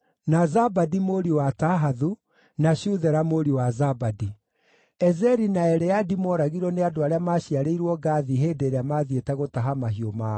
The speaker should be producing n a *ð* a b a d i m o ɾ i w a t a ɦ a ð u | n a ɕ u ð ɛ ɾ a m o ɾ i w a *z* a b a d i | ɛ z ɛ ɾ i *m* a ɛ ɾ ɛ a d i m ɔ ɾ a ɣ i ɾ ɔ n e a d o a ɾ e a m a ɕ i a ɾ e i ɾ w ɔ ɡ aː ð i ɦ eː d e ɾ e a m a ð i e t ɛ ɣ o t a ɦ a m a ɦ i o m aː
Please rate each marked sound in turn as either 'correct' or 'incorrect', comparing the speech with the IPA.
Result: incorrect: z, correct, incorrect: n

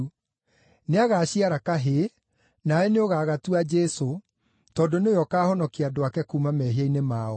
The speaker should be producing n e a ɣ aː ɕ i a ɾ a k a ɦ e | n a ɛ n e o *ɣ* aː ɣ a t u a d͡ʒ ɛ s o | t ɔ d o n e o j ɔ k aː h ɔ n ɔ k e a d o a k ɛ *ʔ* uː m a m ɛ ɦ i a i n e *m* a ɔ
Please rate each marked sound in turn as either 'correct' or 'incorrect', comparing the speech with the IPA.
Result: correct, incorrect: k, correct

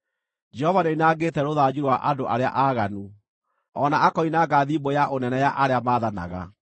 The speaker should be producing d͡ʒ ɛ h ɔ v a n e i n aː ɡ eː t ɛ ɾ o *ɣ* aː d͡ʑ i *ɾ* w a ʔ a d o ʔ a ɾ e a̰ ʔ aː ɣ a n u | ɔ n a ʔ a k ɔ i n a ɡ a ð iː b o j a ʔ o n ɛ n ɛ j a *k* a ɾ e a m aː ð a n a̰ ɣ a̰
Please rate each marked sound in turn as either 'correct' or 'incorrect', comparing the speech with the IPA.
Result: incorrect: ð, correct, incorrect: ʔ

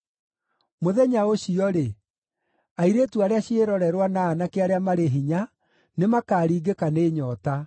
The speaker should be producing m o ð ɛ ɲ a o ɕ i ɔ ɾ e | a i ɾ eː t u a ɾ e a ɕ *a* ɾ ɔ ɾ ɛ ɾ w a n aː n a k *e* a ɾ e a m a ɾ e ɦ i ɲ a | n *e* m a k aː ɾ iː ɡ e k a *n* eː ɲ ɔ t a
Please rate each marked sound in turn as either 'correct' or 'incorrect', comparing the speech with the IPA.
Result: incorrect: e, correct, correct, correct

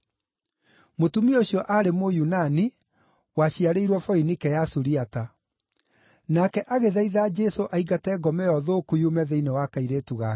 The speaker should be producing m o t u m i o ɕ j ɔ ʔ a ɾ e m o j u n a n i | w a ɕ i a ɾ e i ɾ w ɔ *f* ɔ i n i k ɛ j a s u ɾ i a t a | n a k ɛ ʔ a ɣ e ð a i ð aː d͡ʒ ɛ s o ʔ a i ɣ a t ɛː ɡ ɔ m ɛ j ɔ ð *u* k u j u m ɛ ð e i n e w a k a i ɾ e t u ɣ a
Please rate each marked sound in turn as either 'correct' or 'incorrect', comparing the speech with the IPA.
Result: correct, incorrect: o

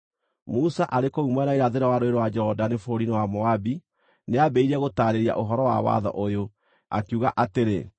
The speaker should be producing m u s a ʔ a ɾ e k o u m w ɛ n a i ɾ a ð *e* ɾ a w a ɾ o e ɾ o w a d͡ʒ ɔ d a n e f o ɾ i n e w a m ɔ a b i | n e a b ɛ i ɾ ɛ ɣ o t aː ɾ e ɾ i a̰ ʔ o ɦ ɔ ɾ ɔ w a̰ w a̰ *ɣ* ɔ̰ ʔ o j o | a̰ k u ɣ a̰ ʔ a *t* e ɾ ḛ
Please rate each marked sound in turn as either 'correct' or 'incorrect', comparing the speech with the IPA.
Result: correct, incorrect: ð, correct

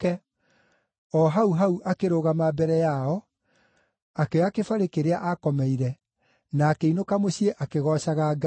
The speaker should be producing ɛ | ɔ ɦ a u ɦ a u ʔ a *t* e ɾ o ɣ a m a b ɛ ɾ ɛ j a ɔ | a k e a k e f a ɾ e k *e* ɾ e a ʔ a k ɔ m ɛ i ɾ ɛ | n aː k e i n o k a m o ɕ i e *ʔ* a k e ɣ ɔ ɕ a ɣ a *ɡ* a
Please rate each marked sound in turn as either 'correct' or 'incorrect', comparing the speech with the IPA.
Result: incorrect: k, correct, correct, correct

